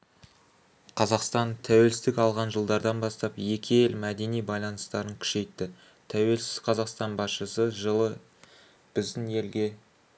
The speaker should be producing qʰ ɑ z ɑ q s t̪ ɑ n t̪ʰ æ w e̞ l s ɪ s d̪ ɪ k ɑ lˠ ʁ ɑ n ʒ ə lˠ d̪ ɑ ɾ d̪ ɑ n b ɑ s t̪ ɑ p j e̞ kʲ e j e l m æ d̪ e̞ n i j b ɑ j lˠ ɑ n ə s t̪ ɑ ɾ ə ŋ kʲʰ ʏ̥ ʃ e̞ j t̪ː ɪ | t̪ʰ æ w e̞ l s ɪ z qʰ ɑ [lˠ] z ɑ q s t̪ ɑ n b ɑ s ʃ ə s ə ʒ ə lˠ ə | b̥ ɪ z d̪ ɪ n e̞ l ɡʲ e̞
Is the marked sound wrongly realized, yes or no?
yes